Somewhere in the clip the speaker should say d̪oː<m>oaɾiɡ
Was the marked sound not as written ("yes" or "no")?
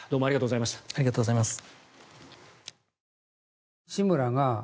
no